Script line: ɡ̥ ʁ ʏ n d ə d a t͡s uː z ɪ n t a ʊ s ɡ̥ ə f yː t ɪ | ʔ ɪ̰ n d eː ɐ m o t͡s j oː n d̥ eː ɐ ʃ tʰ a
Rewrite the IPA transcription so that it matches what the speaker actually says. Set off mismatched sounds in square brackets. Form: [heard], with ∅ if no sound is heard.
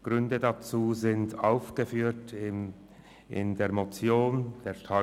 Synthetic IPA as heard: ɡ̥ ʁ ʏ n d ə d a t͡s uː z ɪ n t a ʊ [f] ɡ̥ ə f yː t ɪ | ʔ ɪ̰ n d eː ɐ m o t͡s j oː n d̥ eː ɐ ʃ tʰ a